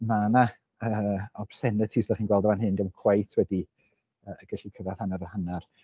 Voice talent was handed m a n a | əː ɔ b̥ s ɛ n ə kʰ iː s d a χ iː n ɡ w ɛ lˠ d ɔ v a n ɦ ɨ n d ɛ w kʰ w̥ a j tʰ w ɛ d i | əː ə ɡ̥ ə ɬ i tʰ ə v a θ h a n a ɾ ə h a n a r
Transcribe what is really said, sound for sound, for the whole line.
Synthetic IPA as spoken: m a n a | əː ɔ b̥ s ɛ n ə tʰ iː s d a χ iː n ɡ w ɛ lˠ d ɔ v a n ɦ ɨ n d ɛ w kʰ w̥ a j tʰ w ɛ d i | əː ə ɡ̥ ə ɬ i kʰ ə v a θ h a n a ɾ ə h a n a r